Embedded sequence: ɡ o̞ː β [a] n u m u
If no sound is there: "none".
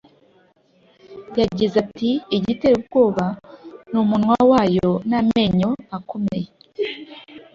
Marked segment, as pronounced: a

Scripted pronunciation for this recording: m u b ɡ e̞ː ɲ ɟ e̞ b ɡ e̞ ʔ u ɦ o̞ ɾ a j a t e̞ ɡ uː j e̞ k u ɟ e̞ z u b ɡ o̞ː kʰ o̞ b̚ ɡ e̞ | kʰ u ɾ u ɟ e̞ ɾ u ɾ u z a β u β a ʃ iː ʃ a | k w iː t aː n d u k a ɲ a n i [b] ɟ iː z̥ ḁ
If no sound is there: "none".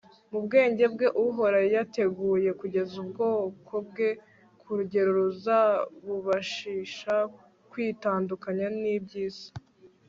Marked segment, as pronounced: b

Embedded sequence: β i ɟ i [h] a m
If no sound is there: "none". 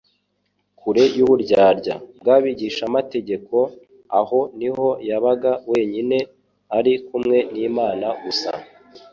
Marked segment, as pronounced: ʃ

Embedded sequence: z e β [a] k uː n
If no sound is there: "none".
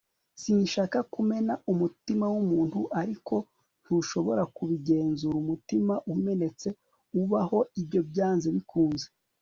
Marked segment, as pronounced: i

